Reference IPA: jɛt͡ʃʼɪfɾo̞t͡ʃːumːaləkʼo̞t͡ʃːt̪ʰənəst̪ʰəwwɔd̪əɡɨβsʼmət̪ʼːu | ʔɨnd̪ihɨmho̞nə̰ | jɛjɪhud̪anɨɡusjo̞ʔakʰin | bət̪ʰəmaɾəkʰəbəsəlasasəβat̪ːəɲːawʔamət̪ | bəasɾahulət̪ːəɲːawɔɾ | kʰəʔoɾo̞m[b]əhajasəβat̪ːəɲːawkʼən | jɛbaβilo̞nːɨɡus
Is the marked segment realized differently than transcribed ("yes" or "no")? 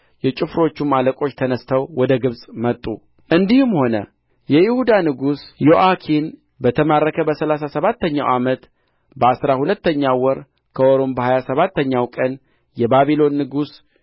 no